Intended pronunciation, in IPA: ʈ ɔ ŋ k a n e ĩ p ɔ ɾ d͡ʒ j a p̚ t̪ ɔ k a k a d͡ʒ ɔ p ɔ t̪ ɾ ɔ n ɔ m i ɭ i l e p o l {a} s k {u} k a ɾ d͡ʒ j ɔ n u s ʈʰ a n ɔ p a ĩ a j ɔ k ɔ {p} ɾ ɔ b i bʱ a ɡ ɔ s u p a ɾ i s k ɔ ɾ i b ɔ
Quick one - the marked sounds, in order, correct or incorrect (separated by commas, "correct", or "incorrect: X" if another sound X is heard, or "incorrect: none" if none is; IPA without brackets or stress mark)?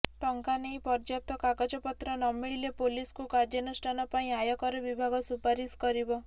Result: incorrect: i, correct, incorrect: none